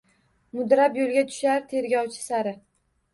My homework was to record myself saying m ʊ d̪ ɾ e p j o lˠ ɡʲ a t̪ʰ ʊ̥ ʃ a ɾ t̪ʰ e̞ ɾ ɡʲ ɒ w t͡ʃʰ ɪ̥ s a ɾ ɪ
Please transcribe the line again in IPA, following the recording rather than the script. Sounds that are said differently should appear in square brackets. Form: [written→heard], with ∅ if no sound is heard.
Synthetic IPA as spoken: m ʊ d̪ ɾ [e→a] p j o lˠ ɡʲ a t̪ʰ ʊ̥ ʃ a ɾ t̪ʰ e̞ ɾ ɡʲ ɒ w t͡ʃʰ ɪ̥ s a ɾ ɪ